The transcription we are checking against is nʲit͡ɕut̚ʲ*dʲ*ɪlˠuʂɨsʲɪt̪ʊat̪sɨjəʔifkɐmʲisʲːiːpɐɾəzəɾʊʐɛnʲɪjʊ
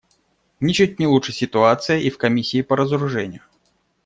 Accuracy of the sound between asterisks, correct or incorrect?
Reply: incorrect